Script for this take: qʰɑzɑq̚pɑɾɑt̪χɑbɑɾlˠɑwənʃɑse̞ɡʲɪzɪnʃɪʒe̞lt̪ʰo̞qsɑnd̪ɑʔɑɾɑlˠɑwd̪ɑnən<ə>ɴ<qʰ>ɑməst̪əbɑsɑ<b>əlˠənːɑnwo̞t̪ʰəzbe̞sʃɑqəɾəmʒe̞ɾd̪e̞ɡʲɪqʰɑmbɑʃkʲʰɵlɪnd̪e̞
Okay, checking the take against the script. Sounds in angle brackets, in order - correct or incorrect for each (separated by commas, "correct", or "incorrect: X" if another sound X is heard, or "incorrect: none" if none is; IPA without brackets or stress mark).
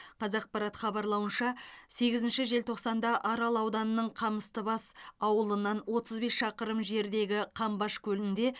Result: correct, correct, incorrect: w